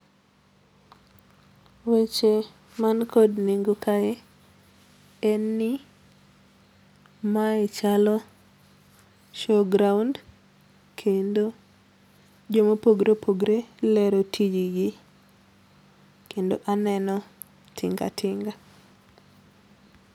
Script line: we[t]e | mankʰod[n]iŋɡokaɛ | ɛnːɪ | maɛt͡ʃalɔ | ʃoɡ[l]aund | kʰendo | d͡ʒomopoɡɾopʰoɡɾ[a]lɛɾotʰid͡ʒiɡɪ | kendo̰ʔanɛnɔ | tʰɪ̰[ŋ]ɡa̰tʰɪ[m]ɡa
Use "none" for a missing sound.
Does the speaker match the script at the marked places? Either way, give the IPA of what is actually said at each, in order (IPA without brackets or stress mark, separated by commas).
t͡ʃ, n, ɾ, e, ŋ, ŋ